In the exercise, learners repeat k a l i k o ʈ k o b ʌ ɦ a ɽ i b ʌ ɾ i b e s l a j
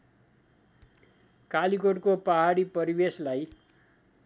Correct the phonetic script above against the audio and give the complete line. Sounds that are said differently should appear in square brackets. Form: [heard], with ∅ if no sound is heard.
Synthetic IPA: k a l i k o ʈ k o [p] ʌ ɦ a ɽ i [p] ʌ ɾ i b e s l a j